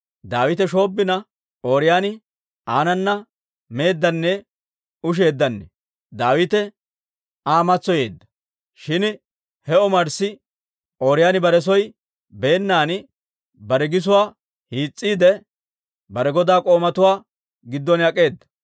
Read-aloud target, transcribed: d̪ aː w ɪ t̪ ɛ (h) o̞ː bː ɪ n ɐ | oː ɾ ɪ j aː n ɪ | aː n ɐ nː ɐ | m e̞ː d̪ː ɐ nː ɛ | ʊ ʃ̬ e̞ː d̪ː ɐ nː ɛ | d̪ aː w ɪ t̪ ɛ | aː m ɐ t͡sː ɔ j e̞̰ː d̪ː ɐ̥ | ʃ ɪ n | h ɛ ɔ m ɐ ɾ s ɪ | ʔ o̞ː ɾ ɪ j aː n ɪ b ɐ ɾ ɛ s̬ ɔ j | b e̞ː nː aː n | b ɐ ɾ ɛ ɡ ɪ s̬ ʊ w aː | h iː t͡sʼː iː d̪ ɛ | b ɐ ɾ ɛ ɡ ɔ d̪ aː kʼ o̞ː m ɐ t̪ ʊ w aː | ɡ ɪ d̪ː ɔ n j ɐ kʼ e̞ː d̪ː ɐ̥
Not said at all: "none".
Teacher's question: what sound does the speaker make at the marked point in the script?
ʃ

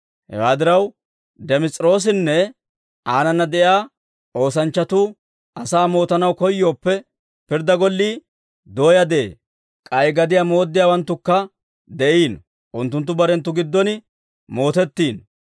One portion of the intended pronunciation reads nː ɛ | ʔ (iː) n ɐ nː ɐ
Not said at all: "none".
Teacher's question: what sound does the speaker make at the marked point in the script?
aː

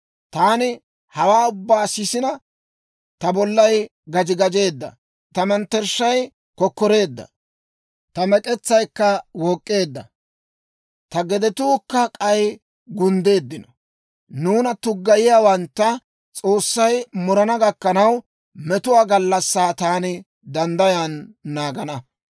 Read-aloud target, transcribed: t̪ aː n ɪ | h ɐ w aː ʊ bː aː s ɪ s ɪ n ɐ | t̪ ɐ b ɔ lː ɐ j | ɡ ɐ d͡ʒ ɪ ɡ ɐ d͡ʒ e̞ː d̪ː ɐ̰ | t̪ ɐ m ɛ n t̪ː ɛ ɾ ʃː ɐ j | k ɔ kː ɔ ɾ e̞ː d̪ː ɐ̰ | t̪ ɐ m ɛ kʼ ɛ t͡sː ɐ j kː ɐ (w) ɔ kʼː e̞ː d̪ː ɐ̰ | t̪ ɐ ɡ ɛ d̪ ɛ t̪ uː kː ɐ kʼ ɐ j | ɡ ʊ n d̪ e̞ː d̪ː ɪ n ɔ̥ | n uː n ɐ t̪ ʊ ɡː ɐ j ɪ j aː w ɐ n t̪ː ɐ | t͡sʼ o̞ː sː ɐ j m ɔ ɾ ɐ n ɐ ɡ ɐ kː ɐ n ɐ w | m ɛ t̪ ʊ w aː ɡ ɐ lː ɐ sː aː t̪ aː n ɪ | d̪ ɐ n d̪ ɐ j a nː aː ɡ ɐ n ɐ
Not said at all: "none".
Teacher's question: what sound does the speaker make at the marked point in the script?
w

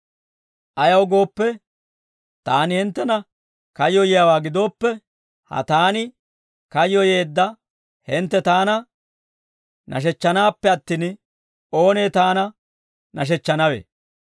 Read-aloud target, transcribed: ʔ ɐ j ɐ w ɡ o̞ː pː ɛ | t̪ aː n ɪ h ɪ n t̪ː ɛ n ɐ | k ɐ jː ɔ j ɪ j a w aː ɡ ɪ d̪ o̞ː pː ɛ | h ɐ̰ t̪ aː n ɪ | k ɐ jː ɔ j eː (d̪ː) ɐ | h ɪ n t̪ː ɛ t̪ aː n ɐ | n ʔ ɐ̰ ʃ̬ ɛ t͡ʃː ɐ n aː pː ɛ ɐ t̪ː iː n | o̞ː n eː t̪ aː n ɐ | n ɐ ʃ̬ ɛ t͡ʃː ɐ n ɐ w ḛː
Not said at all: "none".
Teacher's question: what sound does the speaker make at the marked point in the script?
d̪ː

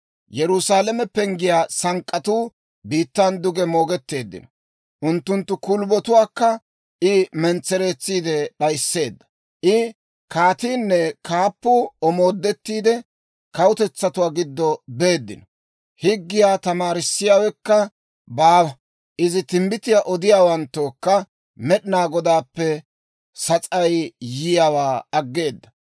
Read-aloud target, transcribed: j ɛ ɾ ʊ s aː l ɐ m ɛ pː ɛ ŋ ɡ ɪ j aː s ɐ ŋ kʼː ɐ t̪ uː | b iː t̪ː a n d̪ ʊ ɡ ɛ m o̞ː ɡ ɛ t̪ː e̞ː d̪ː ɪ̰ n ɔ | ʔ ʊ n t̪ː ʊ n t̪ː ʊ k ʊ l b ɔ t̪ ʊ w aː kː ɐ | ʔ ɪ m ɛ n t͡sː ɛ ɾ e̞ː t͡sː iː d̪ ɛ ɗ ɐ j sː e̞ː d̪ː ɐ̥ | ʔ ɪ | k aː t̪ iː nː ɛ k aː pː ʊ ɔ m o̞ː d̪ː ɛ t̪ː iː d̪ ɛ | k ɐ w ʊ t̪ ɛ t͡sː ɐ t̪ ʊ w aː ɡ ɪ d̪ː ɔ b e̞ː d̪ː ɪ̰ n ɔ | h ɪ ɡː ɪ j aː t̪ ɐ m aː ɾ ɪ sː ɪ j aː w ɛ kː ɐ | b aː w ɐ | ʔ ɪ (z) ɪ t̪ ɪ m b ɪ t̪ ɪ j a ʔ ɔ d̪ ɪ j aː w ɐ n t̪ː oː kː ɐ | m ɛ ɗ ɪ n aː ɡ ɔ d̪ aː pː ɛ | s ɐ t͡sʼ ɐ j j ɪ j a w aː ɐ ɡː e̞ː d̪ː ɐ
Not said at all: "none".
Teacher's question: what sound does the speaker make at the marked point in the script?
z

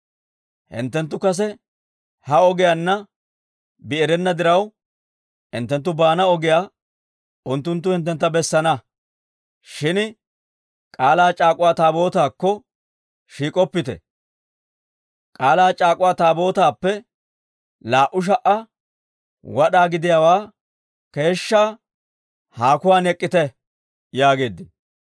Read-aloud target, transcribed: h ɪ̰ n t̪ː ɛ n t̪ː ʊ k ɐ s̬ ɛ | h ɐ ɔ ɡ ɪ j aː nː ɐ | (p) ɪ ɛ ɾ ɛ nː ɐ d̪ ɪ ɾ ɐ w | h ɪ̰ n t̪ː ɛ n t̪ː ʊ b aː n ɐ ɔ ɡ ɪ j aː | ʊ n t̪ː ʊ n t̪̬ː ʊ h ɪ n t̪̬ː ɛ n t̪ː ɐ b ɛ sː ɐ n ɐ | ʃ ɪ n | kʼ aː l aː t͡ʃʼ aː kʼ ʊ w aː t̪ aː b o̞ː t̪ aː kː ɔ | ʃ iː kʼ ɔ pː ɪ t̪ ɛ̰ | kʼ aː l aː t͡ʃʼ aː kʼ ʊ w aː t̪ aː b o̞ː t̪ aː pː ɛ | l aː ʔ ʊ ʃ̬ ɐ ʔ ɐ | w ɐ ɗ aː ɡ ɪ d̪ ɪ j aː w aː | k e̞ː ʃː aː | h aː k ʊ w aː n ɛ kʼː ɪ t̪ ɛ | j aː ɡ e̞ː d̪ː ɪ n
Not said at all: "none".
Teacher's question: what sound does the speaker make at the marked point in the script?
b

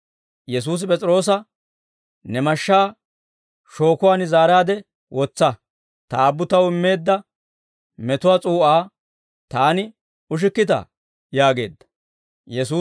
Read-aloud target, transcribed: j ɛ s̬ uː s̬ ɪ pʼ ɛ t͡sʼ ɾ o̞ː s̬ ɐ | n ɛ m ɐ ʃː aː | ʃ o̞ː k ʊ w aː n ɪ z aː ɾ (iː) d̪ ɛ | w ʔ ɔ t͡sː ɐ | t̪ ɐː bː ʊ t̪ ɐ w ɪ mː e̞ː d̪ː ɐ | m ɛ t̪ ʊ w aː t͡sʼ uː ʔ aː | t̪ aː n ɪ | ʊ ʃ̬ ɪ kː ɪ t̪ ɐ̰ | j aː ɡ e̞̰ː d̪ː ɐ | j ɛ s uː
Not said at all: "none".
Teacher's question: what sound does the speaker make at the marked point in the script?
aː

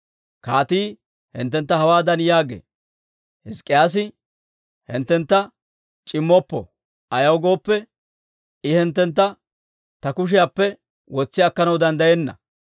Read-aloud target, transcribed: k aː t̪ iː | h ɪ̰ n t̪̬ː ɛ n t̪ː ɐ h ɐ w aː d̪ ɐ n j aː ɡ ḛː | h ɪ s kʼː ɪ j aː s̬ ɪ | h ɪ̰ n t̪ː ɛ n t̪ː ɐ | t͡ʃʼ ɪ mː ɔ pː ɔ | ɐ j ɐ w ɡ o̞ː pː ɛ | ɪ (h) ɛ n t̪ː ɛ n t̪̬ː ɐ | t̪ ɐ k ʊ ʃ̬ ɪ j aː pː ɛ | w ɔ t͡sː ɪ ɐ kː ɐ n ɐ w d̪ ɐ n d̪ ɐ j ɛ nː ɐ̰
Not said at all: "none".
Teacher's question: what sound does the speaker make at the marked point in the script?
h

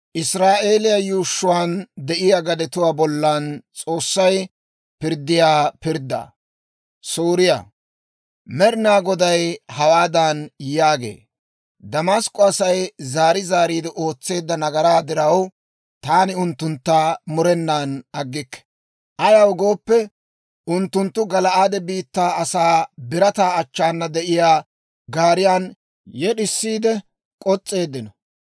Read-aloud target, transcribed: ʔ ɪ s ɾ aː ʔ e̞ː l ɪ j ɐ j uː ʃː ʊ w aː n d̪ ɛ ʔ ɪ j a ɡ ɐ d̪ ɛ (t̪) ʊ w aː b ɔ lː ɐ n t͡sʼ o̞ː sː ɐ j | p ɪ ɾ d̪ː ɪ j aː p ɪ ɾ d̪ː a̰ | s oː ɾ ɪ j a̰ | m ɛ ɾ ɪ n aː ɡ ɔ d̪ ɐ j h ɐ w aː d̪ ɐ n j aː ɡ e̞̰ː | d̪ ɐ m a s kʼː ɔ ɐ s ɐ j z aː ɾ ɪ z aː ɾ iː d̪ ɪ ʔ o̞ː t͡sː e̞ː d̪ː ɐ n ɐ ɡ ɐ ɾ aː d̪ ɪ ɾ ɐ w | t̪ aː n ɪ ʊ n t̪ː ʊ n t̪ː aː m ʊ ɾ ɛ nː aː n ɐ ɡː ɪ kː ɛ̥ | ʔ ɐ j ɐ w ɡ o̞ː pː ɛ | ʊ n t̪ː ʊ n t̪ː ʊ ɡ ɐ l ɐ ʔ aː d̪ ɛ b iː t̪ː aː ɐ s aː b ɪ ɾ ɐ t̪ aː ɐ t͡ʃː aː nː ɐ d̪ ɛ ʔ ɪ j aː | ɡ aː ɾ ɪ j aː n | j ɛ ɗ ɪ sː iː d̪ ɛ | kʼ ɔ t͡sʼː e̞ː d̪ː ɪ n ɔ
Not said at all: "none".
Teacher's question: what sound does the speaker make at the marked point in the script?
t̪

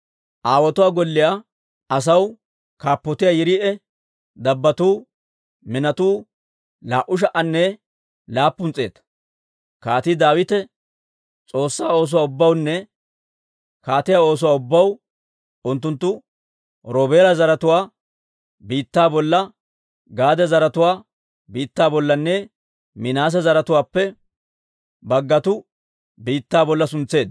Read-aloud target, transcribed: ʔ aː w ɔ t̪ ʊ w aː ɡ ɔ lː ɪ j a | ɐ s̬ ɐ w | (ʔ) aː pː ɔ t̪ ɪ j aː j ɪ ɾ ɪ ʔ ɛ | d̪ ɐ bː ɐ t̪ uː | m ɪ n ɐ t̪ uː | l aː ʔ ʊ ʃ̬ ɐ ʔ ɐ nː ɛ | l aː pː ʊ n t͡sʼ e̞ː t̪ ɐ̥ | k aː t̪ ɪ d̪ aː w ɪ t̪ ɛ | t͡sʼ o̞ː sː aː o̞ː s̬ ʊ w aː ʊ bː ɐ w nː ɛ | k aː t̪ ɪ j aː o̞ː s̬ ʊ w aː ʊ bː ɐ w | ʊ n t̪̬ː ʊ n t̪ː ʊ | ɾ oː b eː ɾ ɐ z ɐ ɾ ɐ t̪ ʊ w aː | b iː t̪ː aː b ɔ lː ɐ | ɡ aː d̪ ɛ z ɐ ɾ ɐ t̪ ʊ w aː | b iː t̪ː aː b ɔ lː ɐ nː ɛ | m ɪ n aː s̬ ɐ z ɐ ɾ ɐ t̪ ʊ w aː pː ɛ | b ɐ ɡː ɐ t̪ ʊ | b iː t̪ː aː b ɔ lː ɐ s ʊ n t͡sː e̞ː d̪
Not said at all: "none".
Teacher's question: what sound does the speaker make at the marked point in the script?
k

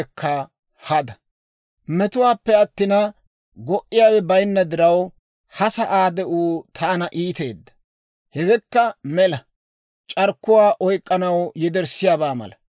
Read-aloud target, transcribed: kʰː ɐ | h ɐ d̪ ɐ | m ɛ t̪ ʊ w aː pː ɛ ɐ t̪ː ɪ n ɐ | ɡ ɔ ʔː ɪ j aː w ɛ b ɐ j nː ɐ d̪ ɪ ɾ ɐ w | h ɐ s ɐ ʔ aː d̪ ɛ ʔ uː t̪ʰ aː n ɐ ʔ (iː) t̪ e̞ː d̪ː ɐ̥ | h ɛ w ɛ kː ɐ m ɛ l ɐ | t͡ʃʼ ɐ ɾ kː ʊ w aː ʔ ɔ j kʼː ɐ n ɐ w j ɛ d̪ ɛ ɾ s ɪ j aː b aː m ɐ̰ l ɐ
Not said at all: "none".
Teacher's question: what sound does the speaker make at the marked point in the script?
iː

